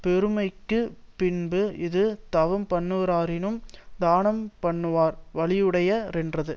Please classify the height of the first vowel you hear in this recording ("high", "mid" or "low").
mid